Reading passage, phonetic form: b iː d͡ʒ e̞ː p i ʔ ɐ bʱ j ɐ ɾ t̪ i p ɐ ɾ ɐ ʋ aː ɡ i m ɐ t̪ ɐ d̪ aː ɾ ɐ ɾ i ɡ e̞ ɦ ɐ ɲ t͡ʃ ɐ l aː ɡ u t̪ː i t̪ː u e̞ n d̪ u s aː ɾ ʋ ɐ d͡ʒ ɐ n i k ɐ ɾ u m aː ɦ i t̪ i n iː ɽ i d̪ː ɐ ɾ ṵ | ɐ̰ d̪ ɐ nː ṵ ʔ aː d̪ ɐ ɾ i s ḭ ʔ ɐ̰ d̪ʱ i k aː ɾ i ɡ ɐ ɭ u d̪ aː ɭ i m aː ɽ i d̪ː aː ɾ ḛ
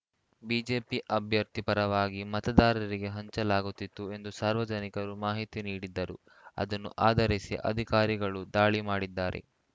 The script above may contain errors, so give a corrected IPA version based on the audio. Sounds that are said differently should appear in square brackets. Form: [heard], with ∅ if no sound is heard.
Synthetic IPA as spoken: b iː d͡ʒ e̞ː p i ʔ ɐ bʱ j ɐ ɾ t̪ i p ɐ ɾ ɐ ʋ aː ɡ i m ɐ t̪ ɐ d̪ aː ɾ ɐ ɾ i ɡ e̞ ɦ ɐ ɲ t͡ʃ ɐ l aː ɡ u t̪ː i t̪ː u e̞ n d̪ u s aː ɾ ʋ ɐ d͡ʒ ɐ n i k ɐ ɾ u m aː ɦ i t̪ i n iː ɽ i d̪ː ɐ ɾ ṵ | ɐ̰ d̪ ɐ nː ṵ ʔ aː d̪ ɐ ɾ i s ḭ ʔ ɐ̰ d̪ʱ i k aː ɾ i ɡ ɐ ɭ u d̪ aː ɭ i m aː ɽ i d̪ː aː ɾ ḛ

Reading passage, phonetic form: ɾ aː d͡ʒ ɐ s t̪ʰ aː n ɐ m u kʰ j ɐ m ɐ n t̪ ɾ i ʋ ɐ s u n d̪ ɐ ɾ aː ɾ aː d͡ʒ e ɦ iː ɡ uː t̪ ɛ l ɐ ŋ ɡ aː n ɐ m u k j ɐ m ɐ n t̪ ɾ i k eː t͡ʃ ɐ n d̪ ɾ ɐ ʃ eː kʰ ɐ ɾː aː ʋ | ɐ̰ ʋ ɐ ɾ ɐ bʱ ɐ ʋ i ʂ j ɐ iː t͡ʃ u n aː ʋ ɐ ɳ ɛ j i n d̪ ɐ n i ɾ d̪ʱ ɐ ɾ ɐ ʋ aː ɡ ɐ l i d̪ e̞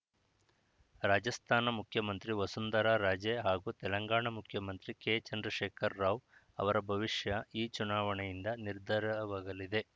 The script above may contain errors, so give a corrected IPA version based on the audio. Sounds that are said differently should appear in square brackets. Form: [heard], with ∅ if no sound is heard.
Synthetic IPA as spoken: ɾ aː d͡ʒ ɐ s t̪ʰ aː n ɐ m u kʰ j ɐ m ɐ n t̪ ɾ i ʋ ɐ s u n d̪ ɐ ɾ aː ɾ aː d͡ʒ e ɦ [aː] ɡ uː t̪ ɛ l ɐ ŋ ɡ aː [ɳ] ɐ m u [kʰ] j ɐ m ɐ n t̪ ɾ i k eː t͡ʃ ɐ n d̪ ɾ ɐ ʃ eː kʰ ɐ ɾː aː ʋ | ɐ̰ ʋ ɐ ɾ ɐ bʱ ɐ ʋ i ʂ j ɐ iː t͡ʃ u n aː ʋ ɐ ɳ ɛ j i n d̪ ɐ n i ɾ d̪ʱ ɐ ɾ ɐ ʋ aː ɡ ɐ l i d̪ e̞

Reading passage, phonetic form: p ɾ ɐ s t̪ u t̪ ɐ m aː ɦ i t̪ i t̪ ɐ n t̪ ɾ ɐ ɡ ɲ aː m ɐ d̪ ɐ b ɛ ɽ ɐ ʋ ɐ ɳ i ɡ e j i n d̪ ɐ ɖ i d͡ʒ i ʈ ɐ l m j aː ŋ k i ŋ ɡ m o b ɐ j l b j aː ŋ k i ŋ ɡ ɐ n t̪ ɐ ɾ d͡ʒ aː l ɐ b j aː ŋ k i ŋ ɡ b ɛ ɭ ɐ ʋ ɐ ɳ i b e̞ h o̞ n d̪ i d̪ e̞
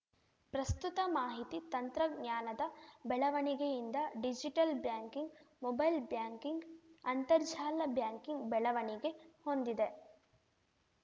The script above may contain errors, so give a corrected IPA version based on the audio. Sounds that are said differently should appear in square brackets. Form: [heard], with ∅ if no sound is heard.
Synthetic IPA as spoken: p ɾ ɐ s t̪ u t̪ ɐ m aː ɦ i t̪ i t̪ ɐ n t̪ ɾ ɐ ɡ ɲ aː [n] ɐ d̪ ɐ b ɛ [ɭ] ɐ ʋ ɐ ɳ i ɡ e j i n d̪ ɐ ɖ i d͡ʒ i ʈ ɐ l [b] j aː ŋ k i ŋ ɡ m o b ɐ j l b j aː ŋ k i ŋ ɡ ɐ n t̪ ɐ ɾ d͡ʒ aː l ɐ b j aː ŋ k i ŋ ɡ b ɛ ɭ ɐ ʋ ɐ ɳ i [ɡ] e̞ h o̞ n d̪ i d̪ e̞

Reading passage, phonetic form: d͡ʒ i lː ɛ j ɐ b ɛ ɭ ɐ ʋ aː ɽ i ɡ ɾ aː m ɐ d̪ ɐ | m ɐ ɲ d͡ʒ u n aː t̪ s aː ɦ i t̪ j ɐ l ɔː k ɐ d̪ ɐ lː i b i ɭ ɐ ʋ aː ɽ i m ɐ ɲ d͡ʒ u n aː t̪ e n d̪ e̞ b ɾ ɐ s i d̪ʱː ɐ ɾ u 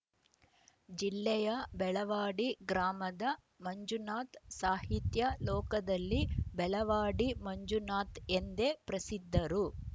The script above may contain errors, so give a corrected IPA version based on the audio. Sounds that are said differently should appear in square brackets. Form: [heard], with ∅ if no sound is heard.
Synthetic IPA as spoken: d͡ʒ i lː ɛ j ɐ b ɛ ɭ ɐ ʋ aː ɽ i ɡ ɾ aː m ɐ d̪ ɐ | m ɐ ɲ d͡ʒ u n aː t̪ s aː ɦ i t̪ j ɐ l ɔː k ɐ d̪ ɐ lː i b [ɛ] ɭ ɐ ʋ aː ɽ i m ɐ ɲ d͡ʒ u n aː t̪ e n d̪ e̞ [p] ɾ ɐ s i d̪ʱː ɐ ɾ u

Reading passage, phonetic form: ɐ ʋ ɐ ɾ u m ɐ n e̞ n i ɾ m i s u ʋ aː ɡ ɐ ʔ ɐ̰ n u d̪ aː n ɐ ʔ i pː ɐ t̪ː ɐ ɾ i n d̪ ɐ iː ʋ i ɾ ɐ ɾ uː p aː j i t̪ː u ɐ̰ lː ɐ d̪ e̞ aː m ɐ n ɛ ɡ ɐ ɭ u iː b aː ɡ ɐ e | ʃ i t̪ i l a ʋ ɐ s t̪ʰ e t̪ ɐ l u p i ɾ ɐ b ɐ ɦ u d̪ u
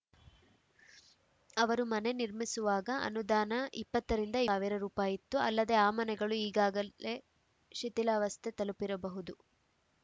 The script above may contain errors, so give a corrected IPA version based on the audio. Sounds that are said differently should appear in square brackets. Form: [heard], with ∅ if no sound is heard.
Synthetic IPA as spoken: ɐ ʋ ɐ ɾ u m ɐ n e̞ n i ɾ m i s u ʋ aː ɡ ɐ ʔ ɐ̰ n u d̪ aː n ɐ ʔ i pː ɐ t̪ː ɐ ɾ i n d̪ ɐ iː ʋ i ɾ ɐ ɾ uː p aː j i t̪ː u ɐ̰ lː ɐ d̪ e̞ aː m ɐ n ɛ ɡ ɐ ɭ u iː [ɡ] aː ɡ ɐ e | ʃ i t̪ i l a ʋ ɐ s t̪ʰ e t̪ ɐ l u p i ɾ ɐ b ɐ ɦ u d̪ u

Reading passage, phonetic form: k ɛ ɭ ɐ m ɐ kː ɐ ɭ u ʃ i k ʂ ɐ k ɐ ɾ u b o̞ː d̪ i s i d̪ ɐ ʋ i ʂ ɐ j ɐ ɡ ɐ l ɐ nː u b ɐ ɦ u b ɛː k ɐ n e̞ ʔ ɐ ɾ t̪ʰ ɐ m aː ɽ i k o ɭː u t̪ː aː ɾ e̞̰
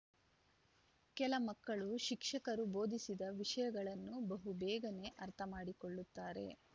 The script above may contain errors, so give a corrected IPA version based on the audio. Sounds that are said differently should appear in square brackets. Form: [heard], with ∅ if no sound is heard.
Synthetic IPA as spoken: k ɛ [l] ɐ m ɐ kː ɐ ɭ u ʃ i k ʂ ɐ k ɐ ɾ u b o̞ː d̪ i s i d̪ ɐ ʋ i ʂ ɐ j ɐ ɡ ɐ [ɭ] ɐ nː u b ɐ ɦ u b ɛː [ɡ] ɐ n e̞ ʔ ɐ ɾ t̪ʰ ɐ m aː ɽ i k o ɭː u t̪ː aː ɾ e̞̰

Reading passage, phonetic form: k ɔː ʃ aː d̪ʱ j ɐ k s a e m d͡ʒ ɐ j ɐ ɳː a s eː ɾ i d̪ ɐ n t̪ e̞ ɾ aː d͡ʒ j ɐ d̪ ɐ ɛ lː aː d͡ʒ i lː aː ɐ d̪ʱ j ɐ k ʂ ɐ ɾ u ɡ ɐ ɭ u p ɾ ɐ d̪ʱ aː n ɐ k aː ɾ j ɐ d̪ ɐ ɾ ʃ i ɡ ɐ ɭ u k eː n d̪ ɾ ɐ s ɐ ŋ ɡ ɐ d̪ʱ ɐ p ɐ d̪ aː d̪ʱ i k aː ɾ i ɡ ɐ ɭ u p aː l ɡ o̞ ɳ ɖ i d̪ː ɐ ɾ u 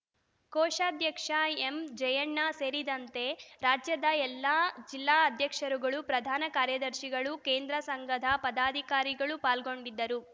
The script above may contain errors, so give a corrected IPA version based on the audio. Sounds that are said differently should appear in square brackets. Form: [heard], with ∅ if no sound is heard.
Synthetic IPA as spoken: k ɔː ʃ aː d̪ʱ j ɐ k [ʂ] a e m d͡ʒ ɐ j ɐ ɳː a s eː ɾ i d̪ ɐ n t̪ e̞ ɾ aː d͡ʒ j ɐ d̪ ɐ ɛ lː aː d͡ʒ i lː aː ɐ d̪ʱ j ɐ k ʂ ɐ ɾ u ɡ ɐ ɭ u p ɾ ɐ d̪ʱ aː n ɐ k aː ɾ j ɐ d̪ ɐ ɾ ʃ i ɡ ɐ ɭ u k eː n d̪ ɾ ɐ s ɐ ŋ ɡ ɐ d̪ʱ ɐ p ɐ d̪ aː d̪ʱ i k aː ɾ i ɡ ɐ ɭ u p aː l ɡ o̞ ɳ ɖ i d̪ː ɐ ɾ u

